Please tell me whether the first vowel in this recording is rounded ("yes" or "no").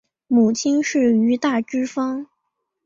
yes